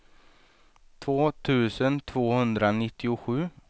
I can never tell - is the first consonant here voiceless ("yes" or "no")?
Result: yes